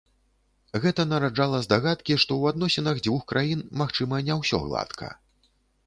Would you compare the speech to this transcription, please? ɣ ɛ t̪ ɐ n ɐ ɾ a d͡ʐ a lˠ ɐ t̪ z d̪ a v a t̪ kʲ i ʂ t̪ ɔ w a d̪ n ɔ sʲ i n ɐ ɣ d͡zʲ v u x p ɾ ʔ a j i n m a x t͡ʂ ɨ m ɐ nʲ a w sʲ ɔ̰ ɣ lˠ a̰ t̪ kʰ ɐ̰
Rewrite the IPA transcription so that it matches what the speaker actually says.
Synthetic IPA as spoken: ɣ ɛ t̪ ɐ n ɐ ɾ a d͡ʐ a lˠ ɐ z d̪ a ɣ a t̪ kʲ i ʂ t̪ ɔ w a d̪ n ɔ sʲ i n ɐ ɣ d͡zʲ v u x k ɾ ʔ a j i n m a x t͡ʂ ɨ m ɐ nʲ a w sʲ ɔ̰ ɣ lˠ a̰ t̪ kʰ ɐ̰

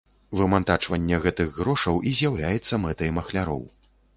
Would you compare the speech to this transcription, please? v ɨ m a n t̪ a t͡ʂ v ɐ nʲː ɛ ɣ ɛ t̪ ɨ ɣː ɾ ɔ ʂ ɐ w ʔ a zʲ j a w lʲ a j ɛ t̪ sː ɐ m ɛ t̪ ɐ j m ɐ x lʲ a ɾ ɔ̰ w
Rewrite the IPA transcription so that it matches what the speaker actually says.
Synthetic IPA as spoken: v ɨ m a n t̪ a t͡ʂ v ɐ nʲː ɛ ɣ ɛ t̪ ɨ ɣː ɾ ɔ ʂ ɐ w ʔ i zʲ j a w lʲ a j ɛ t̪ sː ɐ m ɛ t̪ ɐ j m ɐ x lʲ a ɾ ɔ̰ w

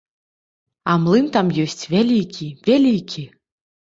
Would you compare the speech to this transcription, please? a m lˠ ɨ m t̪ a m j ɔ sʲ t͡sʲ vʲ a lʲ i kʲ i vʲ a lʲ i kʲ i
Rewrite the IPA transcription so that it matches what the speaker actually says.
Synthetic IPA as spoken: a m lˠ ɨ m t̪ a m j ɔ sʲ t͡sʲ vʲ a lʲ i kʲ i vʲ a lʲ i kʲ i

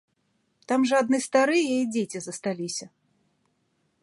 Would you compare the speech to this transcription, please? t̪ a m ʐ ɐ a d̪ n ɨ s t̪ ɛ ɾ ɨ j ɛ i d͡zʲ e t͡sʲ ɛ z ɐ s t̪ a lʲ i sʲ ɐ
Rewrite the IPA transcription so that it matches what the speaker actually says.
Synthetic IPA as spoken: t̪ a m ʐ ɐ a d̪ n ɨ s t̪ a ɾ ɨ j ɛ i d͡zʲ e t͡sʲ i z ɐ s t̪ a lʲ i sʲ ɐ

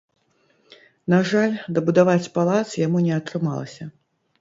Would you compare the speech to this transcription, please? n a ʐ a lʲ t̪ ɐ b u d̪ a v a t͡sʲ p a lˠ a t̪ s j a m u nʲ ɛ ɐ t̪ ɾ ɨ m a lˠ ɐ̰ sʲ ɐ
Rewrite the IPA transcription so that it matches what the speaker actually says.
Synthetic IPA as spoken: n a ʐ a lʲ d̪ ɐ b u d̪ a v a t͡sʲ p a lˠ a t̪ s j a m u nʲ ɛ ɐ t̪ ɾ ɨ m a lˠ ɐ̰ sʲ ɐ

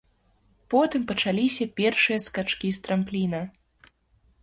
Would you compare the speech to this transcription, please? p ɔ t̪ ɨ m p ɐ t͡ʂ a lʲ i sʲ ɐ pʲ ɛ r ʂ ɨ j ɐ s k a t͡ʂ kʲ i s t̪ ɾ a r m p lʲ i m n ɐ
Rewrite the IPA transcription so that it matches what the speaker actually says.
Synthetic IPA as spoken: p ɔ t̪ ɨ m p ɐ t͡ʂ a lʲ i sʲ ɐ pʲ ɛ r ʂ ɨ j ɐ s k a t͡ʂ kʲ i s t̪ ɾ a m p lʲ i n ɐ

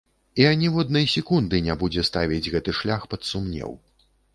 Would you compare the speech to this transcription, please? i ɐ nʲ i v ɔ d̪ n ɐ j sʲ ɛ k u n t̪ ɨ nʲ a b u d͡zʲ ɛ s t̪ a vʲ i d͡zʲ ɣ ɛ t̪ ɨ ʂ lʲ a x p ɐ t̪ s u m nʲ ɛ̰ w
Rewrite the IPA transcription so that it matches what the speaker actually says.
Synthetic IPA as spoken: i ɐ nʲ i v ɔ d̪ n ɐ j sʲ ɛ k u n d̪ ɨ nʲ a b u d͡zʲ ɛ s t̪ a vʲ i d͡zʲ ɣ ɛ t̪ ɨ ʂ lʲ a x p ɐ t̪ s u m nʲ ɛ̰ w

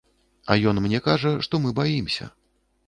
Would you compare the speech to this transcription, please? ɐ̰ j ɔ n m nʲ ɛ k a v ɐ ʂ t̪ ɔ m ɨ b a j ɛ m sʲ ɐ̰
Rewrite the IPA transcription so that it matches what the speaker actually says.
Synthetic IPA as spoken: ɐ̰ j ɔ n m nʲ ɛ k a ʐ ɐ ʂ t̪ ɔ m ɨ b a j i m sʲ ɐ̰

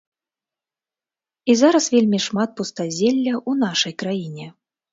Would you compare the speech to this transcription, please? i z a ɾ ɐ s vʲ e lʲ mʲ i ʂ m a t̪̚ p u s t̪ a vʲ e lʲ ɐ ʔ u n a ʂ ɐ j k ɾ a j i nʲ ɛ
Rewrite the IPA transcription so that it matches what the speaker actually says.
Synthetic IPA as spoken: i z a ɾ ɐ s vʲ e lʲ mʲ i ʂ m a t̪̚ p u s t̪ a zʲ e lʲː ɐ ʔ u n a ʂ ɐ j k ɾ a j i nʲ ɛ

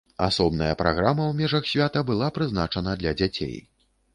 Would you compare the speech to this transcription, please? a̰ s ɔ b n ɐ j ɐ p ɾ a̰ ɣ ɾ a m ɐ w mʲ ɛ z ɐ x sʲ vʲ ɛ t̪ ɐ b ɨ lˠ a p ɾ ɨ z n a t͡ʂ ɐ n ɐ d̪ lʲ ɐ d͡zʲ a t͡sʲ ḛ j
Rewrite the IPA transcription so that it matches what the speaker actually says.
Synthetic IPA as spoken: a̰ s ɔ b n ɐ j ɐ p ɾ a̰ ɣ ɾ a m ɐ w mʲ ɛ ʐ ɐ x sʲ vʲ a t̪ ɐ b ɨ lˠ a p ɾ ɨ z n a t͡ʂ ɐ n ɐ d̪ lʲ ɐ d͡zʲ a t͡sʲ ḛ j

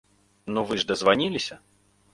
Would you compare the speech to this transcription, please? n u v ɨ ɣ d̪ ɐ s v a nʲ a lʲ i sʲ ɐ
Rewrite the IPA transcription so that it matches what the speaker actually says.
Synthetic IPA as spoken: n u v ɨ ʐ d̪ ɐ z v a nʲ i lʲ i sʲ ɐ

